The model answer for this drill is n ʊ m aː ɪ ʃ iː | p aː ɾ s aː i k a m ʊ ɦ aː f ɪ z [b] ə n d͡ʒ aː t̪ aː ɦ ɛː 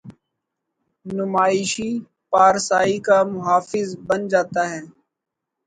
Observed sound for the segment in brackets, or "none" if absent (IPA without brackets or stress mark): b